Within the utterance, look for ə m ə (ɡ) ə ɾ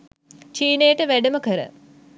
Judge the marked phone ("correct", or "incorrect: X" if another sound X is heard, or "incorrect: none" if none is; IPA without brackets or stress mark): incorrect: k